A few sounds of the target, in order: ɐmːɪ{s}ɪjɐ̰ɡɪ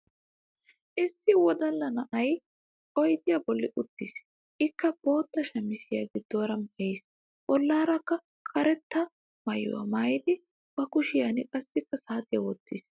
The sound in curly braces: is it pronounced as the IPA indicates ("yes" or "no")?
yes